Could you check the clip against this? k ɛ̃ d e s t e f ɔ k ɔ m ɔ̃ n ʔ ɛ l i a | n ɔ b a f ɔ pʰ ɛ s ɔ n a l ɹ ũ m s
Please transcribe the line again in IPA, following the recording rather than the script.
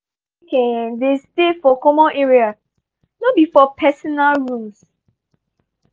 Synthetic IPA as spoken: k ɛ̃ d e s t e f ɔ k ɔ m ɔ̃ n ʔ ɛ ɹ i a | n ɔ b i f ɔ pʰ ɛ s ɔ n a l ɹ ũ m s